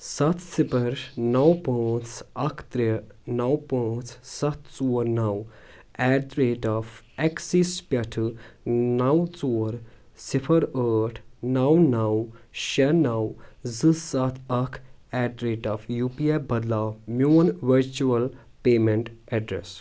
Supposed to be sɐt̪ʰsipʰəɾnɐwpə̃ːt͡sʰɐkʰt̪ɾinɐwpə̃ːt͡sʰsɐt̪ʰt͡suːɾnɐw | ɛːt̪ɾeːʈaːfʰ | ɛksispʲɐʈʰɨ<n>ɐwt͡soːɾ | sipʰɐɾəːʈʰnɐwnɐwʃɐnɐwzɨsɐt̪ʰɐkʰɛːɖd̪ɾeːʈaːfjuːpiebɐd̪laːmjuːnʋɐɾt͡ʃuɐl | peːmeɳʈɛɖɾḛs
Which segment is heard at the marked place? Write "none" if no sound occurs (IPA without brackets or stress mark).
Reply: n